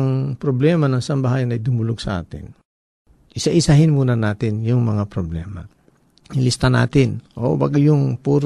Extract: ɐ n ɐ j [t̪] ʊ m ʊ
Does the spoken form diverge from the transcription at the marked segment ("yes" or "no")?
yes